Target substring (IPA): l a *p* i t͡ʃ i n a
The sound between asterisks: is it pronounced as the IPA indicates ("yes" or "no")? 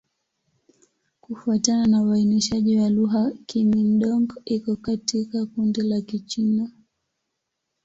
no